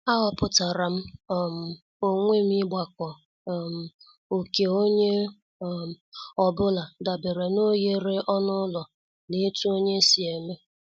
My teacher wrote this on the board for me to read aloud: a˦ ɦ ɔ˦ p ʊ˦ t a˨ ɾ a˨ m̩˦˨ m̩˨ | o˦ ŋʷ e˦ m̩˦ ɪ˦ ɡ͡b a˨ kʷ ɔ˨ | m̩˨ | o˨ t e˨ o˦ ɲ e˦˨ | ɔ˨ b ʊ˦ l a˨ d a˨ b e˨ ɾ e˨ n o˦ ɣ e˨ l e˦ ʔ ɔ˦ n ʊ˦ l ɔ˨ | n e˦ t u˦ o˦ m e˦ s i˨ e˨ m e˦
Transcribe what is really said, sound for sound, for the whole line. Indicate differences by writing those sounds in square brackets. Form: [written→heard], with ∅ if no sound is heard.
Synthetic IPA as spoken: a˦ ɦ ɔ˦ p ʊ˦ t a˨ ɾ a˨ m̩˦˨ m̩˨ | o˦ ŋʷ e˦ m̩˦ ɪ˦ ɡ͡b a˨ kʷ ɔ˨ | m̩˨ | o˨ [t→k] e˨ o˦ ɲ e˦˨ | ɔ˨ b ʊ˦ l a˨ d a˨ b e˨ ɾ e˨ n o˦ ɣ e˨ [l→ɾ] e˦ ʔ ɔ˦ n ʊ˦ l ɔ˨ | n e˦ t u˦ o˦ [m→ɲ] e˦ s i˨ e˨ m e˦